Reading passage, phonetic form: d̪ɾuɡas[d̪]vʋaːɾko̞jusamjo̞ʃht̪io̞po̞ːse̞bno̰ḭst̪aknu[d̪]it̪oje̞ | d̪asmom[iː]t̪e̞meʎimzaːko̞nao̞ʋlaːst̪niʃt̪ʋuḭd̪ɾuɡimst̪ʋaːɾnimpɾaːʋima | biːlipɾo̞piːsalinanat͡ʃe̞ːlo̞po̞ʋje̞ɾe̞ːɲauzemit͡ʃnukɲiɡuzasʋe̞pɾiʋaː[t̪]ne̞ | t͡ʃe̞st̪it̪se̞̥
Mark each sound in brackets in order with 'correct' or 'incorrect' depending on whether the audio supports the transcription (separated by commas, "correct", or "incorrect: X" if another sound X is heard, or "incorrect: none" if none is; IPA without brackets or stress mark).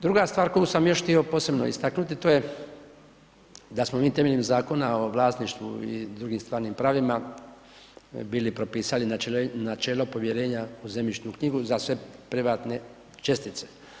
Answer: incorrect: t̪, incorrect: t̪, correct, correct